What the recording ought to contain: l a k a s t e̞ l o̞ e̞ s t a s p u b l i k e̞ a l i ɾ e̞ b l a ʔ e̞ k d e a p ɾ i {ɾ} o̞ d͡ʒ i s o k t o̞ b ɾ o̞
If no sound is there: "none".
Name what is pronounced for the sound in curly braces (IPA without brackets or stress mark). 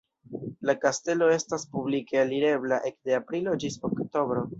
l